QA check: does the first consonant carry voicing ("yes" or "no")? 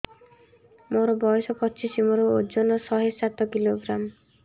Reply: yes